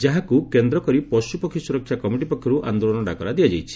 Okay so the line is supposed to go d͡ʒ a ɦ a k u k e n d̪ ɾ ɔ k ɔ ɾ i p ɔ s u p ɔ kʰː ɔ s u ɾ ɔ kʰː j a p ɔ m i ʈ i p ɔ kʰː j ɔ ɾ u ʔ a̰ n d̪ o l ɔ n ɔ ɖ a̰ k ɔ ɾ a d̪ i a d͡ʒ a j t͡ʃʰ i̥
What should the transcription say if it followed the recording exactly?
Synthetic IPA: d͡ʒ a ɦ a k u k e n d̪ ɾ ɔ k ɔ ɾ i p ɔ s u p ɔ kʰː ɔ s u ɾ ɔ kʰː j a k ɔ m i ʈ i p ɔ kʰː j ɔ ɾ u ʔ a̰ n d̪ o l ɔ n ɔ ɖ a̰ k ɔ ɾ a d̪ i a d͡ʒ a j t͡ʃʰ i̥